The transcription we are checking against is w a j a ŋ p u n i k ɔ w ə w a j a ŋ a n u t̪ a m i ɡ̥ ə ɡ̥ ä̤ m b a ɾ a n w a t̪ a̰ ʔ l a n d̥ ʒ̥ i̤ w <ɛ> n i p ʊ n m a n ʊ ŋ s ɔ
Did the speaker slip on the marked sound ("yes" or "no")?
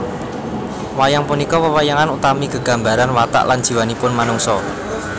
yes